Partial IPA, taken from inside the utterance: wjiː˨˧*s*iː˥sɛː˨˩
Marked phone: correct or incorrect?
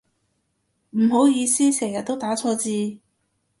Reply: correct